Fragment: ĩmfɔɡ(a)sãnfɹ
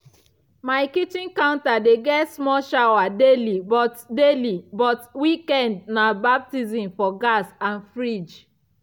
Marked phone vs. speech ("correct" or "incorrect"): correct